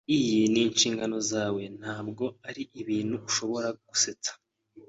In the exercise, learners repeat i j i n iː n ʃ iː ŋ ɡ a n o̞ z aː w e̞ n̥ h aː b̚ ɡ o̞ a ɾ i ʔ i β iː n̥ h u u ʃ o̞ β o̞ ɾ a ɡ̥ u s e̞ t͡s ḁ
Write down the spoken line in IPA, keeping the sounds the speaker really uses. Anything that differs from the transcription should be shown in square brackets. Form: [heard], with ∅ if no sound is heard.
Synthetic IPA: i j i n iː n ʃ iː ŋ ɡ a n o̞ z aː w e̞ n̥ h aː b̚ ɡ o̞ a ɾ i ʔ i β iː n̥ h u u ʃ o̞ β o̞ ɾ a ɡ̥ u s e̞ t͡s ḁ